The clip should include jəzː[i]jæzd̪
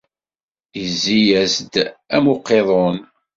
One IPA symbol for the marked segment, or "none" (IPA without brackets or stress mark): i